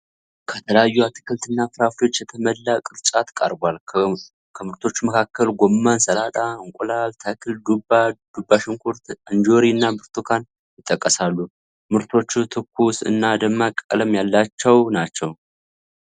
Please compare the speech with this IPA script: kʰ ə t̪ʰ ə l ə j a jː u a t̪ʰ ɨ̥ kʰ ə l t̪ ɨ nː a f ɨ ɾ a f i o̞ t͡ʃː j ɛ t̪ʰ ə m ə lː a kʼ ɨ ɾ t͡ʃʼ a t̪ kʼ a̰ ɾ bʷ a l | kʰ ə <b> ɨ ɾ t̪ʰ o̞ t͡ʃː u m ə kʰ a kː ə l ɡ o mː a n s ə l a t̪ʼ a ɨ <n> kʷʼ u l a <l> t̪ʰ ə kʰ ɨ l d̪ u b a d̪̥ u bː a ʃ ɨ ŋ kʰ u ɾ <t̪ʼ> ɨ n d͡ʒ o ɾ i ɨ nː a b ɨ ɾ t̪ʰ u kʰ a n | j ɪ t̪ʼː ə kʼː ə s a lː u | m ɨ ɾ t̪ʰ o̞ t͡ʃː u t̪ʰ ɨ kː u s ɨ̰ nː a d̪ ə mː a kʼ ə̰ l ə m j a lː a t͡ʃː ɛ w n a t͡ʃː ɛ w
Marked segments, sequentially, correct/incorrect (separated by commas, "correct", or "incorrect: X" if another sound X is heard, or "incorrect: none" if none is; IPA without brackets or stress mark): incorrect: m, incorrect: ŋ, correct, incorrect: t̪